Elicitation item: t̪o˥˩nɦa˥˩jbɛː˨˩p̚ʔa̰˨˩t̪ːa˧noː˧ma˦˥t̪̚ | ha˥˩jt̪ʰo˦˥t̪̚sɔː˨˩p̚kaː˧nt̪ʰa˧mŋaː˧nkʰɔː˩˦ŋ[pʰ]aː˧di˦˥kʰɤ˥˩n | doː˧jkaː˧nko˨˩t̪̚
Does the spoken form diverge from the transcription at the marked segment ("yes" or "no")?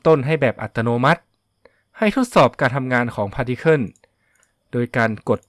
no